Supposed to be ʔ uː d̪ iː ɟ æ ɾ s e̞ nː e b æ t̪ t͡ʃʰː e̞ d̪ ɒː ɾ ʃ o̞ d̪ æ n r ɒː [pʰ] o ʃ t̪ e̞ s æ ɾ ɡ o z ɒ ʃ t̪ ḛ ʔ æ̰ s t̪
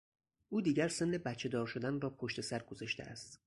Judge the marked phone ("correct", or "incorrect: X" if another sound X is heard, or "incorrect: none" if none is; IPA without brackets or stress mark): correct